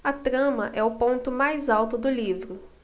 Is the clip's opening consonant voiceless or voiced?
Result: voiceless